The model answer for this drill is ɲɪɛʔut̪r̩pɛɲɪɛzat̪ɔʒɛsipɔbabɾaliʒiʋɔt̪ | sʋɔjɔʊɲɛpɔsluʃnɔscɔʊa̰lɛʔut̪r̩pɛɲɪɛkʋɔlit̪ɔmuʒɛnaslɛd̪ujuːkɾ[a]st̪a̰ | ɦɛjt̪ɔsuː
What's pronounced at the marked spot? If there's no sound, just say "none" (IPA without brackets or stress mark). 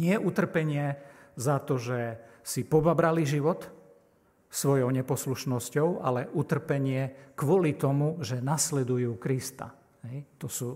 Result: i